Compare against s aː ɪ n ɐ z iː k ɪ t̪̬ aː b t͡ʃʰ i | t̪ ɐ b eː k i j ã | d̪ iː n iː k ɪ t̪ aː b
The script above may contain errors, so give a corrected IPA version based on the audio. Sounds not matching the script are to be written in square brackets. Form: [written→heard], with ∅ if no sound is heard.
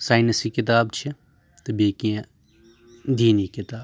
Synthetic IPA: s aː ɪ n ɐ [z→s] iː k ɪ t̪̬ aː b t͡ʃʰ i | t̪ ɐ b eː k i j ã | d̪ iː n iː k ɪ t̪ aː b